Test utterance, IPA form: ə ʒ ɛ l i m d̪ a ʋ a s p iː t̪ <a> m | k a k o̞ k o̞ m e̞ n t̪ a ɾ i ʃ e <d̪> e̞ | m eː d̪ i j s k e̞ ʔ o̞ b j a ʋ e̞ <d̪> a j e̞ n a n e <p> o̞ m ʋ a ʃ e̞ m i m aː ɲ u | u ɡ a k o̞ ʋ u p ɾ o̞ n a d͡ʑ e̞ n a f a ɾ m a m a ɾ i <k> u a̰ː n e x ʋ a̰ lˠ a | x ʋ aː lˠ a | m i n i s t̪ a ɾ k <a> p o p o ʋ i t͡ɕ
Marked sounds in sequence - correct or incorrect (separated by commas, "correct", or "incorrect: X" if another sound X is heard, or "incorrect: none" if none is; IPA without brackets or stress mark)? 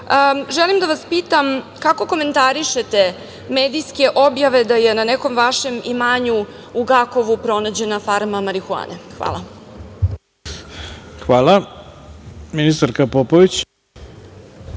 correct, incorrect: t̪, correct, incorrect: k, incorrect: x, correct